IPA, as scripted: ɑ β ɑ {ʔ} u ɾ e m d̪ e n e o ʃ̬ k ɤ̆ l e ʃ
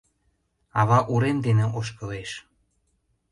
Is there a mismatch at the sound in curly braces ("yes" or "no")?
no